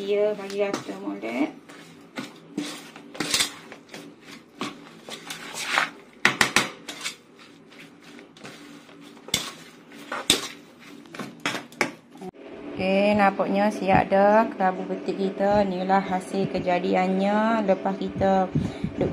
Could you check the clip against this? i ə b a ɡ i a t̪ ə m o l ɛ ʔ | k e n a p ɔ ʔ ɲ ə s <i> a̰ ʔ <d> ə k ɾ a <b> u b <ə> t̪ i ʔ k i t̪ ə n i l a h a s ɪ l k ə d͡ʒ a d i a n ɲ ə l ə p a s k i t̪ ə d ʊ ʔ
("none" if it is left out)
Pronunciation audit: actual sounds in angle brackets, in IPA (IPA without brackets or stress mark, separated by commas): i, d, b, ə